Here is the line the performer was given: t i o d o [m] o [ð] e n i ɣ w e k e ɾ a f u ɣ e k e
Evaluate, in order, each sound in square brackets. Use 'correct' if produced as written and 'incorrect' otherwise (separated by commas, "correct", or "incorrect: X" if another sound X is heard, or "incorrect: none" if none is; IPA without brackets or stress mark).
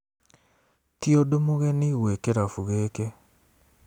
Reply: correct, incorrect: ɣ